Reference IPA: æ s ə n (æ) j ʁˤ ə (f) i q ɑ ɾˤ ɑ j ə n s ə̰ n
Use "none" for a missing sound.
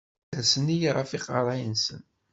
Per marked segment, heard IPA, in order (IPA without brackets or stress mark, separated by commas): i, f